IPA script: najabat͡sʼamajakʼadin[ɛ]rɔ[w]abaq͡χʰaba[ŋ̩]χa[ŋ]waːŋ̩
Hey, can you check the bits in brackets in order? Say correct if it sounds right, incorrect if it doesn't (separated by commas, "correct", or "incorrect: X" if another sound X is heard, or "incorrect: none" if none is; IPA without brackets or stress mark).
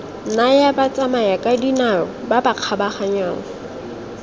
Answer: incorrect: a, incorrect: b, incorrect: none, incorrect: ɲ